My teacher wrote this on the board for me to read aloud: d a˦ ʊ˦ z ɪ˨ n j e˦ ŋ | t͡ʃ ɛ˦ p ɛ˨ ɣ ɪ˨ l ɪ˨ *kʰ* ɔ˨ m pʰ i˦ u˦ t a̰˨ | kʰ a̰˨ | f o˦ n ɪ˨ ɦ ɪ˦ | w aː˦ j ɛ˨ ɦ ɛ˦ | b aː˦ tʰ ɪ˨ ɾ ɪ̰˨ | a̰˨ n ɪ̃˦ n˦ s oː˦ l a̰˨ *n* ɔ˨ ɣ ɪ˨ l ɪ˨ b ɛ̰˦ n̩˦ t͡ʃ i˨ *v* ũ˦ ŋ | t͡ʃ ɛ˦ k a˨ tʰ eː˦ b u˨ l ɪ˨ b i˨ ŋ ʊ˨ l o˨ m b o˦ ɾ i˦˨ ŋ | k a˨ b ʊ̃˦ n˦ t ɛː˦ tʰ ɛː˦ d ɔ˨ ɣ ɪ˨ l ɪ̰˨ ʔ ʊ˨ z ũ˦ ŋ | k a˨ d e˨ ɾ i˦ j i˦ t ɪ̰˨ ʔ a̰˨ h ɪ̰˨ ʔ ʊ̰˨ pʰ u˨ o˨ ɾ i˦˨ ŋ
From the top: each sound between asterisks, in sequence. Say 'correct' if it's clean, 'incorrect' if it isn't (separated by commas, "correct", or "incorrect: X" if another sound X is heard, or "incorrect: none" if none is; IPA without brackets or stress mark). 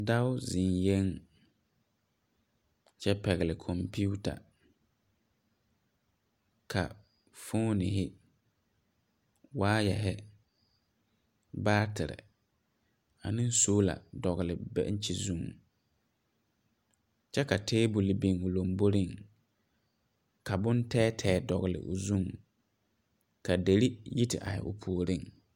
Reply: correct, incorrect: d, incorrect: z